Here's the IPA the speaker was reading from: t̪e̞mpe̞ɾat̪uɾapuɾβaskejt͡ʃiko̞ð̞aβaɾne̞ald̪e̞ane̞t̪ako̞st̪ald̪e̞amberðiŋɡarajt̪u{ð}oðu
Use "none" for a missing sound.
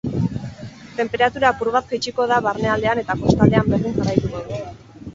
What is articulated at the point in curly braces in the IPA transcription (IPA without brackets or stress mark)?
ɣ